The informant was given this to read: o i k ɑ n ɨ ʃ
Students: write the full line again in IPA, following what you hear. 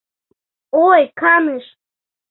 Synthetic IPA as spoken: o j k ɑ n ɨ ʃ